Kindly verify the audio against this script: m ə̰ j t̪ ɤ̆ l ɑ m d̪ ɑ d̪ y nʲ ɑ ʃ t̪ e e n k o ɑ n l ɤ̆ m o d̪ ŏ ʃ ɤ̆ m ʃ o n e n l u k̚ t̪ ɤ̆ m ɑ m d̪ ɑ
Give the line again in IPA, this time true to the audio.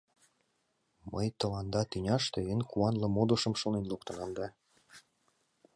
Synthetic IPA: m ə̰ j t̪ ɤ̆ l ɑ n d̪ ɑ t̪ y nʲ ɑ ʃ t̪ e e n k u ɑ n l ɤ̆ m o d̪ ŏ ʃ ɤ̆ m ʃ o n e n l u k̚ t̪ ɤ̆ n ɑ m d̪ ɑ